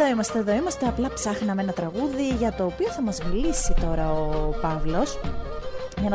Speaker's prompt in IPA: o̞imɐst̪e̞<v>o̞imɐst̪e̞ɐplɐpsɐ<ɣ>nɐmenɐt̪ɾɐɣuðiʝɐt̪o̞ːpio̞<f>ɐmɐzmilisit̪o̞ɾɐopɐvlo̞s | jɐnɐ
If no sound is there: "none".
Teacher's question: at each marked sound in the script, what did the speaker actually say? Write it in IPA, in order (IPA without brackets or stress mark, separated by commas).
ð, x, θ